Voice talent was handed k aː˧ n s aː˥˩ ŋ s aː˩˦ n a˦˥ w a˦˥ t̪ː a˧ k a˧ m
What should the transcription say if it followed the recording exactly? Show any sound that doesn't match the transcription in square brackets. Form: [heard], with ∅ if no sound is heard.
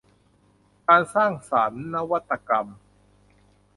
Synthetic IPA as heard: k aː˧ n s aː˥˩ ŋ s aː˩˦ [nː] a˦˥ w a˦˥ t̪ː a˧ k a˧ m